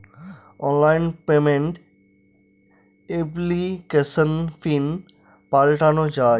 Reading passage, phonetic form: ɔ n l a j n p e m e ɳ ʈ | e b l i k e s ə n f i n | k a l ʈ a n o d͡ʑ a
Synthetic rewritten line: ɔ n l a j n p e m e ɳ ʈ | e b l i k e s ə n f i n | p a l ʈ a n o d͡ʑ a

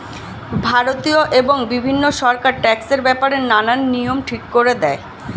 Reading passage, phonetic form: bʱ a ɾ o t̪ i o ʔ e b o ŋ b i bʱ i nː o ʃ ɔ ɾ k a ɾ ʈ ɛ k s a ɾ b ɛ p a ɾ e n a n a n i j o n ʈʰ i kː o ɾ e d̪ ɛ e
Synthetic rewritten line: bʱ a ɾ o t̪ i o ʔ e b o ŋ b i bʱ i nː o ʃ ɔ ɾ k a ɾ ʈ ɛ k s e ɾ b ɛ p a ɾ e n a n a nː i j o m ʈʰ i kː o ɾ e d̪ ɛ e

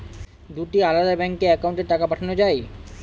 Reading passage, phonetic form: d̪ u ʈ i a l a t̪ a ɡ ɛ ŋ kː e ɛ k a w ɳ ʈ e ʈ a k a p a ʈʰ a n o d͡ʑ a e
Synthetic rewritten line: d̪ u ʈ i a l a d̪ a b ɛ ŋ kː e ɛ k a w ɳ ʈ e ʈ a k a p a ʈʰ a n o d͡ʑ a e

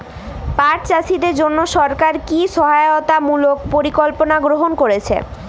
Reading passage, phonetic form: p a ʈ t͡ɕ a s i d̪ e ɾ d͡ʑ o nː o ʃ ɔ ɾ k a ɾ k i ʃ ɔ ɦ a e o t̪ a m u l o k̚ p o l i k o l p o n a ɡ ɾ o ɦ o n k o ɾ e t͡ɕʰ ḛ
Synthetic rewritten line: p a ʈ t͡ɕ a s i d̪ e ɾ d͡ʑ o nː o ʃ ɔ ɾ k a ɾ k i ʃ ɔ ɦ a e o t̪ a m u l o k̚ p o ɾ i k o l p o n a ɡ ɾ o ɦ o n k o ɾ e t͡ɕʰ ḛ

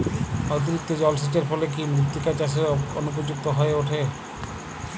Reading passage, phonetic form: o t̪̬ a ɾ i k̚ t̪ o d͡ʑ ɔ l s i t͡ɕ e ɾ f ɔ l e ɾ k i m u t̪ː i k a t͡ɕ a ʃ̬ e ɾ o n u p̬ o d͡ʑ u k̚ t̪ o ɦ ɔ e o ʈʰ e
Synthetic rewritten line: o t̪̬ i ɾ i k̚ t̪ o d͡ʑ ɔ l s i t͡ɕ e ɾ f ɔ l e k i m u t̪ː i k a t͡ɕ a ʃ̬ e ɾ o n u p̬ o d͡ʑ u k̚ t̪ o ɦ ɔ e o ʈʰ e

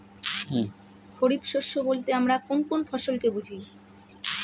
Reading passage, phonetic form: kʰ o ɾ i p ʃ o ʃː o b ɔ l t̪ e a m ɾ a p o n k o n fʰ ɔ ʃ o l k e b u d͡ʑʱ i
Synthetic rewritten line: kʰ o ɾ i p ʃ o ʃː o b o l t̪ e a m ɾ a k o n k o n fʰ ɔ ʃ o l k e b u d͡ʑʱ i

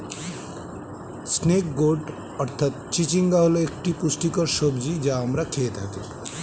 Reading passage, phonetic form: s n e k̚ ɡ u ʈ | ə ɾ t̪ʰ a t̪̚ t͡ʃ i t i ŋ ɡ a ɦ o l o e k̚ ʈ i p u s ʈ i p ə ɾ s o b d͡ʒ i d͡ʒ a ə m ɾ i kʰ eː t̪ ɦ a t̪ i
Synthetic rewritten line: s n e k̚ ɡ o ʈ | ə ɾ t̪ʰ a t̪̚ t͡ʃ i t͡ʃ i ŋ ɡ a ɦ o l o e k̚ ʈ i p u s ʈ i k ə ɾ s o b d͡ʒ i d͡ʒ a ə m ɾ a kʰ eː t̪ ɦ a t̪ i

